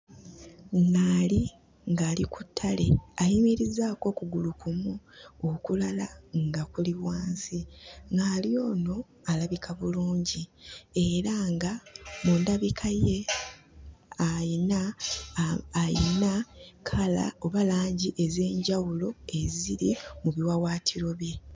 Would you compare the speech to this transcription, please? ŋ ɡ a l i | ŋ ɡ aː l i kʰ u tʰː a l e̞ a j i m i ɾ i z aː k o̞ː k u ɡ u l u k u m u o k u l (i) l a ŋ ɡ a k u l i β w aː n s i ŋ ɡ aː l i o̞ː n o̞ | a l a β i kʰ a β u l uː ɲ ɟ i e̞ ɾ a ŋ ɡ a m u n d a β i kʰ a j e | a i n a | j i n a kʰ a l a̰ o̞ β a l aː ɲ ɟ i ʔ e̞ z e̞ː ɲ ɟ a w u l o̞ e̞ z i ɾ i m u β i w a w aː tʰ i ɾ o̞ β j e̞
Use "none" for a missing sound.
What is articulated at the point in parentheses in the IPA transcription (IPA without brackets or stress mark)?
a